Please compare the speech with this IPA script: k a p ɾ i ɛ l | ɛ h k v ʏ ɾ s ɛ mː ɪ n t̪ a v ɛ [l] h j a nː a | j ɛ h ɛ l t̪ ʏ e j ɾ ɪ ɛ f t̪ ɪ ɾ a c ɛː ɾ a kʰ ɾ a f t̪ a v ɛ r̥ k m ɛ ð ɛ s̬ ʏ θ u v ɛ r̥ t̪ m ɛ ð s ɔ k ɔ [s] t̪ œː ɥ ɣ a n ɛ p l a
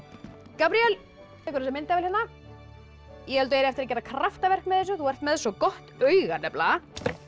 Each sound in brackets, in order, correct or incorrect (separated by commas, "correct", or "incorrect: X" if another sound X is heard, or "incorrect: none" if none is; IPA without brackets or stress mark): correct, incorrect: h